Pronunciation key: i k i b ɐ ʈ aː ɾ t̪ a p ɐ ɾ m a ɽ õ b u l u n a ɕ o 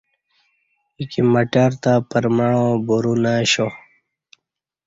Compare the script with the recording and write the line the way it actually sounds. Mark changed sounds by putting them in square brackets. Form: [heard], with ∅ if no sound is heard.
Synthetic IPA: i k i [m] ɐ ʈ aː ɾ t̪ a p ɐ ɾ m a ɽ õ b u [ɾ] u n a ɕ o